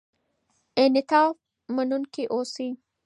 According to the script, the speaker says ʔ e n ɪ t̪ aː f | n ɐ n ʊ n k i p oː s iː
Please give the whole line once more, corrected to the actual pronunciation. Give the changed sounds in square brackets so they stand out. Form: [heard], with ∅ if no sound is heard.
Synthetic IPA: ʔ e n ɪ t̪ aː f | [m] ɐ n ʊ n k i [ʔ] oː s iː